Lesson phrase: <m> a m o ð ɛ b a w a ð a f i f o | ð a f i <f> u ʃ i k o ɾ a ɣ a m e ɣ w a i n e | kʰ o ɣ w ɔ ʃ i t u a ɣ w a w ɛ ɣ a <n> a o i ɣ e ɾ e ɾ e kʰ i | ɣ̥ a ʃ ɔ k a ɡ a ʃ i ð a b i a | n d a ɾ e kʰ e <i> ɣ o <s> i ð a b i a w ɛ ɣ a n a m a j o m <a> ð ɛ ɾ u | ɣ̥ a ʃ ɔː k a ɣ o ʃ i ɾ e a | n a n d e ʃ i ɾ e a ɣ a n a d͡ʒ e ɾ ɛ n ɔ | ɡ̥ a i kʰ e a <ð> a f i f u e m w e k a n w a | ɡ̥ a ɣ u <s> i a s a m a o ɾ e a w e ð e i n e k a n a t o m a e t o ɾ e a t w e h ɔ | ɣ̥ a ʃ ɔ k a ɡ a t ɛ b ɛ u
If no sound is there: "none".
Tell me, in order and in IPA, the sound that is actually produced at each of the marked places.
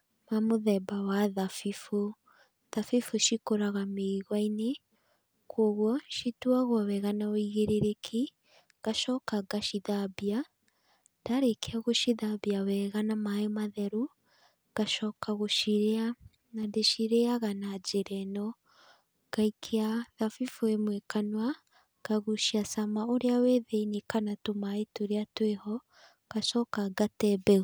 m, f, n, a, ʃ, a, ð, ʃ

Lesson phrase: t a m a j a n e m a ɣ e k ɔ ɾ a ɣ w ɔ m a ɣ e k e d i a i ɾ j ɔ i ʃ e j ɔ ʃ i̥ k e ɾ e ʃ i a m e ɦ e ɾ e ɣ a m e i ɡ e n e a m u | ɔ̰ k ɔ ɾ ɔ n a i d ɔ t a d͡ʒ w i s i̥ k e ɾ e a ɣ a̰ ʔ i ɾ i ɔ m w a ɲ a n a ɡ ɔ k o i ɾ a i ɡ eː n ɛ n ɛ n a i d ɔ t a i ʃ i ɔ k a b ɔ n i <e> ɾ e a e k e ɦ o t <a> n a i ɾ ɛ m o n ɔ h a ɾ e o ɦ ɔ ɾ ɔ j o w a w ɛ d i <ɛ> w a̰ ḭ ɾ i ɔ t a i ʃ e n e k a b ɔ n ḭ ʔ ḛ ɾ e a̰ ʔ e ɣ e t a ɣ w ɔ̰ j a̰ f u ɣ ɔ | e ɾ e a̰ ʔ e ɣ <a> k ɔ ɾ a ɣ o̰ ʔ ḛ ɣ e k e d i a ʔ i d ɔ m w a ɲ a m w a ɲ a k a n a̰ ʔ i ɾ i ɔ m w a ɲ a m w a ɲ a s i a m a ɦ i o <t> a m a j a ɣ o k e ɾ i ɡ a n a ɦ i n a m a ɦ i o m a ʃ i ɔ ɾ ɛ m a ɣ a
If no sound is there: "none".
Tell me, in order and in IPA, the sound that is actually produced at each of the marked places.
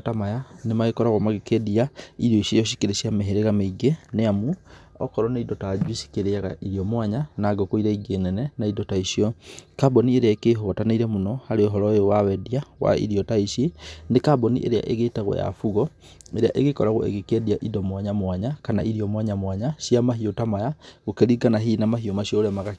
e, a, a, e, t

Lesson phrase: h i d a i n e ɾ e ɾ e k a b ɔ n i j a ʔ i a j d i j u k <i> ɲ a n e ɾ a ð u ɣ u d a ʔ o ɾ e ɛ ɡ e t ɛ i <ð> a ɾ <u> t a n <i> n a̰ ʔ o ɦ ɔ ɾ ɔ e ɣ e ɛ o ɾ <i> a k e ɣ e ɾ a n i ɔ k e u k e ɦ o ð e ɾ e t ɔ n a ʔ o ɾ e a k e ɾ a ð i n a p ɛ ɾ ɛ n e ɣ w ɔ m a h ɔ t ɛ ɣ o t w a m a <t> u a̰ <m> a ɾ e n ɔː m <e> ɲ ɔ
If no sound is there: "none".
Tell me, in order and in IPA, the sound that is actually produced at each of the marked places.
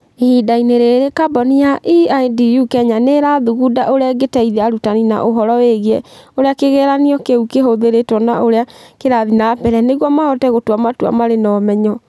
ɛ, ð, u, i, e, t, m, ɛ

